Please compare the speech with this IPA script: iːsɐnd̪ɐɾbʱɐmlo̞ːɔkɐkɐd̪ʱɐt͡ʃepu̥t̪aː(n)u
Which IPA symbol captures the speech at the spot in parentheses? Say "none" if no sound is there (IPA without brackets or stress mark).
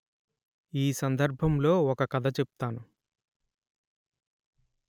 n